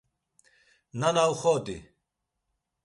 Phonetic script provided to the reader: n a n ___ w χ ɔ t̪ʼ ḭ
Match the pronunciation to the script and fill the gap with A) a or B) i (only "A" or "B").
A